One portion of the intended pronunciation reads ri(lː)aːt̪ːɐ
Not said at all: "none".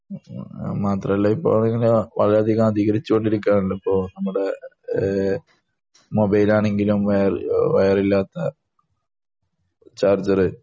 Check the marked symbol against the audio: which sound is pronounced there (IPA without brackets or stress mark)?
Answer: lː